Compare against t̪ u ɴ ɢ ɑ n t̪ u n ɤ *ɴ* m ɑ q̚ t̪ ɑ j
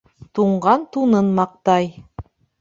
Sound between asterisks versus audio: incorrect: n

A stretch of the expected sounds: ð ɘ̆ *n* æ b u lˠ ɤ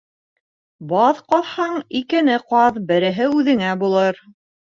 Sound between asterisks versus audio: incorrect: ŋ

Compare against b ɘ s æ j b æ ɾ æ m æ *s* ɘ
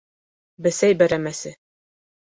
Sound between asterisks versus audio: correct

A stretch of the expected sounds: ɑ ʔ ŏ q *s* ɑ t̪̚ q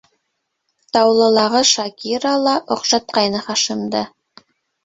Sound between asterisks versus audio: incorrect: ʃ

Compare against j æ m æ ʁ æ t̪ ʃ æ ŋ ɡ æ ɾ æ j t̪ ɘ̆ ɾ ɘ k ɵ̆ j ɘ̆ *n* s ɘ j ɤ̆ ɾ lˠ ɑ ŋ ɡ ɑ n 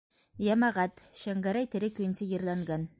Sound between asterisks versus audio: correct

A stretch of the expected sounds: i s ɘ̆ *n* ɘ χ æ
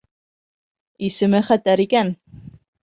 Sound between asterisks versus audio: incorrect: m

